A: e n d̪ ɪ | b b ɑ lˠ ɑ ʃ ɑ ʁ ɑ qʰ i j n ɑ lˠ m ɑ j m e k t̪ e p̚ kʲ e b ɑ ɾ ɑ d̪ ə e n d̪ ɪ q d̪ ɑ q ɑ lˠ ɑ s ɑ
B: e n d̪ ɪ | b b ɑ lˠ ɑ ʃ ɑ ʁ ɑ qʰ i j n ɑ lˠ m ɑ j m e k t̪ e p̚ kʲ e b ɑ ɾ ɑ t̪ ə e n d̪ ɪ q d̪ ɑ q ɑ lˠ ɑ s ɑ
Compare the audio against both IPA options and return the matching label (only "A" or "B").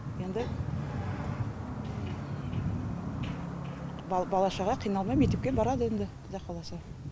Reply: A